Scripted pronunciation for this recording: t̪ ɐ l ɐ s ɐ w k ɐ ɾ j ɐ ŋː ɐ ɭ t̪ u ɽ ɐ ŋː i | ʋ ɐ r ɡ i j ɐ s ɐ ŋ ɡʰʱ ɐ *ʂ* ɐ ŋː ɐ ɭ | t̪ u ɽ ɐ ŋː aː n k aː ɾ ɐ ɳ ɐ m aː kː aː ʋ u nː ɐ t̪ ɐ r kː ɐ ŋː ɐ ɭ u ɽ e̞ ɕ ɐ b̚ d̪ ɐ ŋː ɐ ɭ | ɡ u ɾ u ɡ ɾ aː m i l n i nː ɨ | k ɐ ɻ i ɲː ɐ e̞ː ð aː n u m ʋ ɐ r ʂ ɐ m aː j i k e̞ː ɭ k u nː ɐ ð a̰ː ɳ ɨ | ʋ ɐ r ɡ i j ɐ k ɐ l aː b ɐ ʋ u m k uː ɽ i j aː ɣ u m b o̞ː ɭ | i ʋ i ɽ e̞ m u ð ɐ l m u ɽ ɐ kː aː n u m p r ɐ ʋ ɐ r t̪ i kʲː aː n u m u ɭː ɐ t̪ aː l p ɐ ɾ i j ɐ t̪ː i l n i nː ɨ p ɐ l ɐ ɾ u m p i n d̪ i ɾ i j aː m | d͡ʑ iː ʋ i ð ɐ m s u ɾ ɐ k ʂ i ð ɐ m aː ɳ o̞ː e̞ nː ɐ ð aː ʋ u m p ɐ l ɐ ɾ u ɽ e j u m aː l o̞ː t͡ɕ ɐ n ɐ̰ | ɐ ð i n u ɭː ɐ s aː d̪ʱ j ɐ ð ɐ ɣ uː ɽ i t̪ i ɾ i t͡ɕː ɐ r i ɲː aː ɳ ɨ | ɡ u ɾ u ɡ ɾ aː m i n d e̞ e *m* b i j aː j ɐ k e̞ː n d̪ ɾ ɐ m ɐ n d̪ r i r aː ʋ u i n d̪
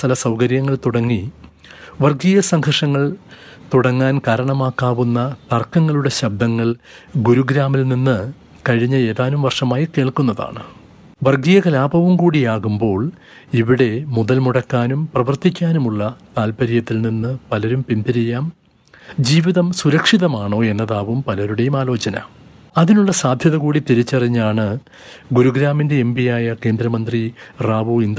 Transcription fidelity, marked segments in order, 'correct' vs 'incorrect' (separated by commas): correct, correct